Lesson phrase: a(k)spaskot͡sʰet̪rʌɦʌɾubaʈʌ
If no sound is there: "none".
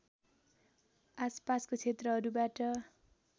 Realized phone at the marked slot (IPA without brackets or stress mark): none